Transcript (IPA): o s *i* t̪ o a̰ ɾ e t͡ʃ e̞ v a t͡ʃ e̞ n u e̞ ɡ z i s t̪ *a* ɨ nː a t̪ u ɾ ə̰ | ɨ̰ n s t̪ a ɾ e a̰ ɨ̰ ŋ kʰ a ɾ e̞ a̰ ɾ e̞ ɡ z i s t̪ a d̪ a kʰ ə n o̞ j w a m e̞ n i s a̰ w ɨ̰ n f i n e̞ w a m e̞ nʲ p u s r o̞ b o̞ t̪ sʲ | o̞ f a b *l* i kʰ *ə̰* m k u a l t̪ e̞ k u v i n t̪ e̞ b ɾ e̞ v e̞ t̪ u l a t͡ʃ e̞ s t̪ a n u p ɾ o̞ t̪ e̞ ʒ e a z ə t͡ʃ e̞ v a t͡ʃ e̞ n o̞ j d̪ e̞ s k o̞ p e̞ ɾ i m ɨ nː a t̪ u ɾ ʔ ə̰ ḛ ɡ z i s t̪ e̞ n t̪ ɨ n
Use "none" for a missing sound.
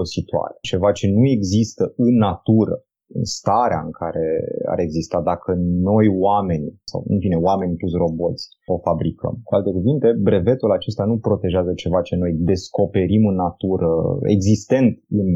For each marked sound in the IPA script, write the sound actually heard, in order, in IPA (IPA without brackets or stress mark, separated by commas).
i, ə, ɾ, ə̰